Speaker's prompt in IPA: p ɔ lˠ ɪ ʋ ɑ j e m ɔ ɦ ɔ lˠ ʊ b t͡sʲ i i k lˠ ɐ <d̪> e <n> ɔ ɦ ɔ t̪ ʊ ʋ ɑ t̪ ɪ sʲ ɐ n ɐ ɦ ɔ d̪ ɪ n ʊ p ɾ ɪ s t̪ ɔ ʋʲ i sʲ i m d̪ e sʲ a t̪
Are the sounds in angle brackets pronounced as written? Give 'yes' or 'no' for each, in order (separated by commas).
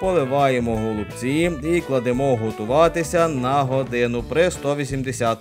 yes, no